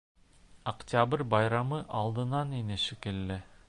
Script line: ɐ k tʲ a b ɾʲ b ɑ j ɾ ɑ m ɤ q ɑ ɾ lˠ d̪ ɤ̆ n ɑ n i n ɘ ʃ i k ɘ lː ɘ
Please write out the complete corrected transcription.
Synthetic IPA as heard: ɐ k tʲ a b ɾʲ b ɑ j ɾ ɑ m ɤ ʔ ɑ lˠ d̪ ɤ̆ n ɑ n i n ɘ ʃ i k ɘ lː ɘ